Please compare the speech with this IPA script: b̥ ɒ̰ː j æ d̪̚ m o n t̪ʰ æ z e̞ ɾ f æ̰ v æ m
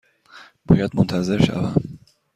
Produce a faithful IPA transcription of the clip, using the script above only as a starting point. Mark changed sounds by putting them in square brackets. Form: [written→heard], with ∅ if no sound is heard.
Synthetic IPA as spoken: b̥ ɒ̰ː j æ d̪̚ m o n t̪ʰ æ z e̞ ɾ [f→ʃ] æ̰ v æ m